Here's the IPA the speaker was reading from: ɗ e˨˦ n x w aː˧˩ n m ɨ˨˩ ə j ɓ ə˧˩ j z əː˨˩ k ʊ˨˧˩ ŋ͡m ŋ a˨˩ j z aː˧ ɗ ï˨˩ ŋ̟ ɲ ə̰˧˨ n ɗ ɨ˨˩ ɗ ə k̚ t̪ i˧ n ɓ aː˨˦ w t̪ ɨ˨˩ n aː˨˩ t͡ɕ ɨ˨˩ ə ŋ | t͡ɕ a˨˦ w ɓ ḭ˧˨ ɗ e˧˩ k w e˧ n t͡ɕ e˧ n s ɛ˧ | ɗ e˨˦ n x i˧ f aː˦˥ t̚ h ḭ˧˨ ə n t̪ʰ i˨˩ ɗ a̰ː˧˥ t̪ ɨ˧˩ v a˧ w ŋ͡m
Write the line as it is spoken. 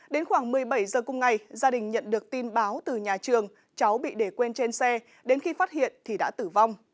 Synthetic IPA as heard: ɗ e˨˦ n x w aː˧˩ ŋ m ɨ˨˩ ə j ɓ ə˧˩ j z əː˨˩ k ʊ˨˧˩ ŋ͡m ŋ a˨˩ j z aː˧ ɗ ï˨˩ ŋ̟ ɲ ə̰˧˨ n ɗ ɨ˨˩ ə k̚ t̪ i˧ n ɓ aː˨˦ w t̪ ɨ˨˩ ɲ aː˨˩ t͡ɕ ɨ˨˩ ə ŋ | t͡ɕ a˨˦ w ɓ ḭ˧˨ ɗ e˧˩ k w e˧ n t͡ɕ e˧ n s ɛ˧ | ɗ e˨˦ n x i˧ f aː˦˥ t̚ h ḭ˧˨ ə n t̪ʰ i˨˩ ɗ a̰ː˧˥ t̪ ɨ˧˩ v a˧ w ŋ͡m